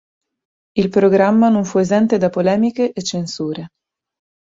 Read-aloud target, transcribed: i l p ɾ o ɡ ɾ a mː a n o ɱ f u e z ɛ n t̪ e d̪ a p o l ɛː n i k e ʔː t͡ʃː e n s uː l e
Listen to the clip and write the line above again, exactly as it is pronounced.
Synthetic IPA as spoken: i l p ɾ o ɡ ɾ a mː a n o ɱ f u e z ɛ n t̪ e d̪ a p o l ɛː m i k e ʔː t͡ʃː e n s uː ɾ e